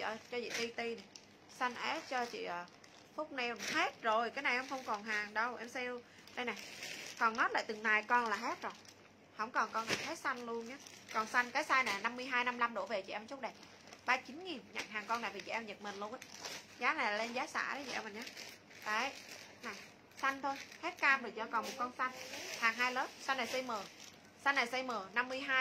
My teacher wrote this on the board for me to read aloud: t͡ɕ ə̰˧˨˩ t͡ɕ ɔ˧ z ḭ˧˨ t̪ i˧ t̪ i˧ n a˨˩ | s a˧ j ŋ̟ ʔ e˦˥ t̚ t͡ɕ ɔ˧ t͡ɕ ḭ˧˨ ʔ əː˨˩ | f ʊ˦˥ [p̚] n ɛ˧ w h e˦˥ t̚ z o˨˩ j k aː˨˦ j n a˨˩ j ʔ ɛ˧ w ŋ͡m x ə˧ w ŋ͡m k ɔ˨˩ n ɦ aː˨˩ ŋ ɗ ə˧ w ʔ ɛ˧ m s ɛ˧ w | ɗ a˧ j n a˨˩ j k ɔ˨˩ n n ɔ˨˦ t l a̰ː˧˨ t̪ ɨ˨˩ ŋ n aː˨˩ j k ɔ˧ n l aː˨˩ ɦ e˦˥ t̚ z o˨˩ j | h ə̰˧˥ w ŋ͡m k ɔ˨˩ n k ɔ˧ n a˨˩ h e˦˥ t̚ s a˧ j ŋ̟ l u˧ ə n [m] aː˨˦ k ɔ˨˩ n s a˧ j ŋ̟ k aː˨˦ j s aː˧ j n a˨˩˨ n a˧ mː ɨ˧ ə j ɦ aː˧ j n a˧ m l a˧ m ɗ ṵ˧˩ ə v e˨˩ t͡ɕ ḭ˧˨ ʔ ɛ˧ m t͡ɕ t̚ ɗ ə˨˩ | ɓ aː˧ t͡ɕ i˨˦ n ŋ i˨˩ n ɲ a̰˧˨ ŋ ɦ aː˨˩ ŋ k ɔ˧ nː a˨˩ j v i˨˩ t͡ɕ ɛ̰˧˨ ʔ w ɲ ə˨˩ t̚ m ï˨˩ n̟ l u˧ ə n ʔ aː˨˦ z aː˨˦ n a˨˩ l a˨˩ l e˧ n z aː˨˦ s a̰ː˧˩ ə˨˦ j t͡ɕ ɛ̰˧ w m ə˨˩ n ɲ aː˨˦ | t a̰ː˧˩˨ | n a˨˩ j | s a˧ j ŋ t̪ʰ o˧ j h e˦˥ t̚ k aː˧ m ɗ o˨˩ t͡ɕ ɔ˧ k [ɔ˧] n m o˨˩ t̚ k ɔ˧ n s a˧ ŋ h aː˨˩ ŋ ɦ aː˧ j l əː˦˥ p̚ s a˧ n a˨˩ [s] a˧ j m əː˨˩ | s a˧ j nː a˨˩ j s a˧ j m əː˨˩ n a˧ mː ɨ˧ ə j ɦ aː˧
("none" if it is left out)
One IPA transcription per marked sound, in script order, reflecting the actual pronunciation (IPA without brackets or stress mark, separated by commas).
k͡p̚, ɲ, ɔ˨˩, s